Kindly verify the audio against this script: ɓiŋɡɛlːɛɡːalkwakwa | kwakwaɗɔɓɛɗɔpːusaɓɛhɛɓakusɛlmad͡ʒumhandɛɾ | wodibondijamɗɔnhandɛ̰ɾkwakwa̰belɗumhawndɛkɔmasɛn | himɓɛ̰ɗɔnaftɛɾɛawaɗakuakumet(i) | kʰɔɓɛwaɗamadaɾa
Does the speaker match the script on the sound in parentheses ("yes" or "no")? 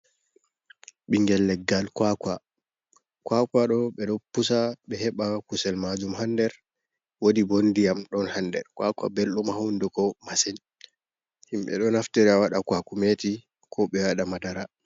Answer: yes